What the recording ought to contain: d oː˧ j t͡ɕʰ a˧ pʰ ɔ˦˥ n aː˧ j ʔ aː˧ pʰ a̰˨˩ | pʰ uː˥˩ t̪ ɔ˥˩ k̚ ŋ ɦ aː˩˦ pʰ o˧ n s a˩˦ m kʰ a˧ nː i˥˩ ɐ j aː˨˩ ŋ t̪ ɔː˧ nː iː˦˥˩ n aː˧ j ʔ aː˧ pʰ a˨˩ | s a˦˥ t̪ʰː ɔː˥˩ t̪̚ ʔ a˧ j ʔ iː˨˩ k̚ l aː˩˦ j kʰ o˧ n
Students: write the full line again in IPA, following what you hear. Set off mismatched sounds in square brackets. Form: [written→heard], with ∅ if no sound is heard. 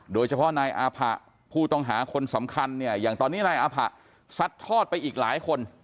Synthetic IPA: d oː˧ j t͡ɕʰ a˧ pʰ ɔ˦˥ n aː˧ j ʔ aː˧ pʰ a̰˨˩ | pʰ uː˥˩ t̪ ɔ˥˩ [k̚→∅] ŋ ɦ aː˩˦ [pʰ→kʰ] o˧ n s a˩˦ m kʰ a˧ nː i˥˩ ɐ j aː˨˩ ŋ t̪ ɔː˧ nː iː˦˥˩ n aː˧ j ʔ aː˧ pʰ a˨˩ | s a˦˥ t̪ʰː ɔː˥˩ t̪̚ [ʔ→p] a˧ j ʔ iː˨˩ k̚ l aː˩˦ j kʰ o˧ n

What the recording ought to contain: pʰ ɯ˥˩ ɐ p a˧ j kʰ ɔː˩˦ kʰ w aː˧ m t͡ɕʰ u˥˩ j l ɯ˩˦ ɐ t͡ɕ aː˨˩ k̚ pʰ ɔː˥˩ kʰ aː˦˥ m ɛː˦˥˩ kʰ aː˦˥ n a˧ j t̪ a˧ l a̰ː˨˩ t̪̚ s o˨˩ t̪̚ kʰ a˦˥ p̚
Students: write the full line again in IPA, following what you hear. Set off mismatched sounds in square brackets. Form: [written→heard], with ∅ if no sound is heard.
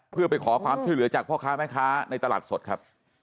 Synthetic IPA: pʰ ɯ˥˩ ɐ p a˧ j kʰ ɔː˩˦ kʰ w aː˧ m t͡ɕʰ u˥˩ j l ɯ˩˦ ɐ t͡ɕ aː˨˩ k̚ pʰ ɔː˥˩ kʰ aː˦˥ m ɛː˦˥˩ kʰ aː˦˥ n a˧ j t̪ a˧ l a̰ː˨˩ t̪̚ s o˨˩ t̪̚ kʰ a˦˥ p̚

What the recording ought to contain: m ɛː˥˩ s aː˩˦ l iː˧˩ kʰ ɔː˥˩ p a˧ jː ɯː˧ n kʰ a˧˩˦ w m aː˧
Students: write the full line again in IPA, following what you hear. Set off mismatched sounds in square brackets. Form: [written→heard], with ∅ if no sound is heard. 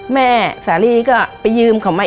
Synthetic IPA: m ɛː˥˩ s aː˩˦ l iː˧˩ [kʰ→k] ɔː˥˩ p a˧ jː ɯː˧ [n→m] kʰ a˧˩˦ w m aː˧

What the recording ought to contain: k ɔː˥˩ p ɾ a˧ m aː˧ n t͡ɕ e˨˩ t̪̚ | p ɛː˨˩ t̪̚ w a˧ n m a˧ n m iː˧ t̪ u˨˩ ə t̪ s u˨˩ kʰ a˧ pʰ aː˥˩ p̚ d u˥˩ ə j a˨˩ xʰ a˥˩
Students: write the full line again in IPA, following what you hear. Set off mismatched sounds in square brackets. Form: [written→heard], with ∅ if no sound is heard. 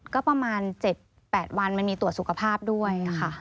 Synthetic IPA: k ɔː˥˩ p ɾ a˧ m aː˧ n t͡ɕ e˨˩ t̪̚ | p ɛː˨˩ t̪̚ w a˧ n m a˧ n m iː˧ t̪ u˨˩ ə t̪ s u˨˩ kʰ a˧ pʰ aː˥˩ p̚ d u˥˩ ə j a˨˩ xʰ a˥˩

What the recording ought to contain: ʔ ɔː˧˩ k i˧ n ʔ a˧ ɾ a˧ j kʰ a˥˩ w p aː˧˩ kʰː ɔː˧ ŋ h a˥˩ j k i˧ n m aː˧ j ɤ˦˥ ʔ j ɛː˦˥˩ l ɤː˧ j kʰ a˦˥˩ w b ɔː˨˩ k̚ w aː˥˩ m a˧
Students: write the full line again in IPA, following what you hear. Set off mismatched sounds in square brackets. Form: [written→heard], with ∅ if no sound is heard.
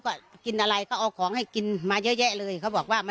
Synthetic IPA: [ʔ→k] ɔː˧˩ k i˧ n ʔ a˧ ɾ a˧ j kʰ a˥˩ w [p→ʔ] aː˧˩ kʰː [ɔː˧→ɔː˩˦] ŋ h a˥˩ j k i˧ n m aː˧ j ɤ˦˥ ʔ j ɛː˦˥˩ l ɤː˧ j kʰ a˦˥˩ w b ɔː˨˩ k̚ w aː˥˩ m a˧

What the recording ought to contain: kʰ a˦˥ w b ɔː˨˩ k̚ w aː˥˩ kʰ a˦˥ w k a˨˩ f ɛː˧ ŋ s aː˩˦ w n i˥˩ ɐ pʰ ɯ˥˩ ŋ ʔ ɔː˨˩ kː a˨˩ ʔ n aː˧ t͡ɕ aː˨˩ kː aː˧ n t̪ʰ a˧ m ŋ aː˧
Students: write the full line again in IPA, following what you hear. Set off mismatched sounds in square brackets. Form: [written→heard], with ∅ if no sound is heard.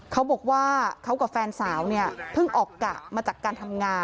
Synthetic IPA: kʰ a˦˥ w b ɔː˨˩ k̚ w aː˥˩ kʰ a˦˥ w k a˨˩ f ɛː˧ [ŋ→n] s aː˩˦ w n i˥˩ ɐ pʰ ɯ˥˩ ŋ ʔ ɔː˨˩ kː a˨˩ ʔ [n→m] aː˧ t͡ɕ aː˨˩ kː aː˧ n t̪ʰ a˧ m ŋ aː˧

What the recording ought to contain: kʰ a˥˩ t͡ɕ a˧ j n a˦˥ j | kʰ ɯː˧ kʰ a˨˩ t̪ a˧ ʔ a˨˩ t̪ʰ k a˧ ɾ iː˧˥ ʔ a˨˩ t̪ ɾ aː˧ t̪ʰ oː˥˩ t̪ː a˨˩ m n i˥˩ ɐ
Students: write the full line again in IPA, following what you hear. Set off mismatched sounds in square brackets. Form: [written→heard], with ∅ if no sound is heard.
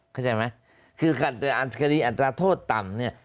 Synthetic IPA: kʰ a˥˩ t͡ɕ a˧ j [n→m] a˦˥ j | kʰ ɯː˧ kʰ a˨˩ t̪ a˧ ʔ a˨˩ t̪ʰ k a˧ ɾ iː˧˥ ʔ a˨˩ t̪ ɾ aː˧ t̪ʰ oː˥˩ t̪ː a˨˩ m n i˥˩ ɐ

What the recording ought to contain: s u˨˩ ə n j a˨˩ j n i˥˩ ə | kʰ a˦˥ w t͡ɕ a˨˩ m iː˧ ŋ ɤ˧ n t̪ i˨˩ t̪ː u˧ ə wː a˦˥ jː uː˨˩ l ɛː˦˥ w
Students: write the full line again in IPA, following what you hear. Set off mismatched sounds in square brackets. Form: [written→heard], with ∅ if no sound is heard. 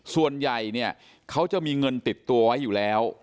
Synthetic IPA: s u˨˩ ə n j a˨˩ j n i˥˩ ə | kʰ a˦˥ w t͡ɕ a˨˩ m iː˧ ŋ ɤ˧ n t̪ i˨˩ t̪ː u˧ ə [wː→w] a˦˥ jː uː˨˩ l ɛː˦˥ w

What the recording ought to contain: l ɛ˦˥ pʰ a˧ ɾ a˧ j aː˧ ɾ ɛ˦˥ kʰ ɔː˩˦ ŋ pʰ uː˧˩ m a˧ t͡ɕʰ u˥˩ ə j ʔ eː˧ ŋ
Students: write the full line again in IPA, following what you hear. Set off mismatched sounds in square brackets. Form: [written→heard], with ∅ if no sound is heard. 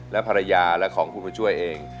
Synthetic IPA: l ɛ˦˥ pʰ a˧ ɾ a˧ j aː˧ [ɾ→l] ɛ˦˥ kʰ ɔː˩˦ ŋ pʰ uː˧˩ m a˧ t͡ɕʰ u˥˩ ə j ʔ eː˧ ŋ

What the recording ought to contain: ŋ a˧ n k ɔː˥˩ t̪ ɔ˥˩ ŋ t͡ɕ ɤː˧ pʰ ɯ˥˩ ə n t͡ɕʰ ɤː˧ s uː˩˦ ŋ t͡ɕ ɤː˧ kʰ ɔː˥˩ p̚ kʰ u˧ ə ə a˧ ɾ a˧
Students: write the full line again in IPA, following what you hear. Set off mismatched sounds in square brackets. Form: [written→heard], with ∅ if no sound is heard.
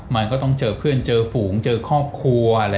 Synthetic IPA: [ŋ→m] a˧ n k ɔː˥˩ t̪ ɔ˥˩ ŋ t͡ɕ ɤː˧ pʰ ɯ˥˩ ə n [t͡ɕʰ→t͡ɕ] ɤː˧ [s→f] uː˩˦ ŋ t͡ɕ ɤː˧ kʰ ɔː˥˩ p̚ kʰ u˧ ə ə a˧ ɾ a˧

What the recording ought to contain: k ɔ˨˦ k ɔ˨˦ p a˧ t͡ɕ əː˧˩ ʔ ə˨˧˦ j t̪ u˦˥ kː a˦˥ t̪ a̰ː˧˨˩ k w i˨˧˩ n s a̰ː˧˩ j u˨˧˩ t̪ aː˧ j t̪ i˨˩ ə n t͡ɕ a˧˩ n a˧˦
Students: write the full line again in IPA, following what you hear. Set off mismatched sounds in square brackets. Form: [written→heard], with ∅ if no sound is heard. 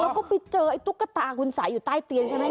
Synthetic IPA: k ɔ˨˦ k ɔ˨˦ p [a˧→i˧] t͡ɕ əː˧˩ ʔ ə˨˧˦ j t̪ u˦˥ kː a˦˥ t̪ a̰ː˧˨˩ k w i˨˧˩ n s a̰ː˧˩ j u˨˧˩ t̪ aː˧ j t̪ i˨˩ ə n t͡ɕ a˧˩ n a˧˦

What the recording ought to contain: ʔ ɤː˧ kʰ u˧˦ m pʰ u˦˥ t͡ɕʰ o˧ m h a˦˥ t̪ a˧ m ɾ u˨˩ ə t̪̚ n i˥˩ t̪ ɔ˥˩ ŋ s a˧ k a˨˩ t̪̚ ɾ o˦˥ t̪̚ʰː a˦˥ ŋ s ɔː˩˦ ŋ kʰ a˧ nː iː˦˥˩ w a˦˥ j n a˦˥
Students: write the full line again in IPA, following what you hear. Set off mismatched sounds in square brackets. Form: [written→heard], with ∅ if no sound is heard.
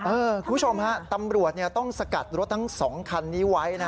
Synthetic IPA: ʔ ɤː˧ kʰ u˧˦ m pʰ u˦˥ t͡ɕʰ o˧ m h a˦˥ t̪ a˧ m ɾ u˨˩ ə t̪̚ n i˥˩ t̪ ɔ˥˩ ŋ s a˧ k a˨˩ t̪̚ ɾ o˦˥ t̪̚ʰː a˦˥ ŋ s ɔː˩˦ ŋ kʰ a˧ nː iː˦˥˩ w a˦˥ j n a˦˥

